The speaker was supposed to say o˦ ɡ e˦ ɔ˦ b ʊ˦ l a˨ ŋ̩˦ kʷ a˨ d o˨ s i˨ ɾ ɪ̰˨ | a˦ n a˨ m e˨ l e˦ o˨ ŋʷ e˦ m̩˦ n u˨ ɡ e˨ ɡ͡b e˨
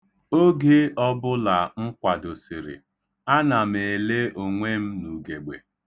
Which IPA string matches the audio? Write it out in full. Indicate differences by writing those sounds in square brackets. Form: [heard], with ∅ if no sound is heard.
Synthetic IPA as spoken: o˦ ɡ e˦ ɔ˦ b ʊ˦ l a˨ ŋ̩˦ kʷ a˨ d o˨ s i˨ ɾ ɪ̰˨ | a˦ n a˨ m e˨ l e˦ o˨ ŋʷ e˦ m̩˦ n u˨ ɡ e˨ ɡ͡b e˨